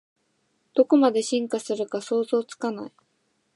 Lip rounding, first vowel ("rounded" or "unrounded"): rounded